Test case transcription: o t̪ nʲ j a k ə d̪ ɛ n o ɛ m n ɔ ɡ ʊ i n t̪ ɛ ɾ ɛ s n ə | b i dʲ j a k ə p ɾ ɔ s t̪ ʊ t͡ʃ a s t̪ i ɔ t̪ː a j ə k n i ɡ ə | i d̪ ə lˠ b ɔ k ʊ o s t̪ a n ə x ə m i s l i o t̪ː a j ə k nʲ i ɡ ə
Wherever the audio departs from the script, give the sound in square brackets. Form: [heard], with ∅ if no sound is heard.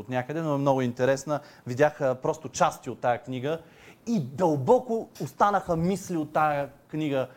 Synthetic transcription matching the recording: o t̪ nʲ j a k ə d̪ ɛ n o ɛ m n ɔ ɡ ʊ i n t̪ ɛ ɾ ɛ s n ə | [v] i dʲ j a [x] ə p ɾ ɔ s t̪ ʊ t͡ʃ a s t̪ i [o] t̪ː a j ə k n i ɡ ə | i d̪ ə lˠ b ɔ k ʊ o s t̪ a n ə x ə m i s l i o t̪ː a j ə k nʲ i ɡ ə